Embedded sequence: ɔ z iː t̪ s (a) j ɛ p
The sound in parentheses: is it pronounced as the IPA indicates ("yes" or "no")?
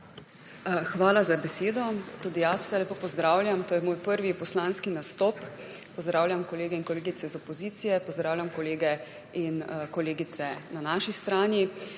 no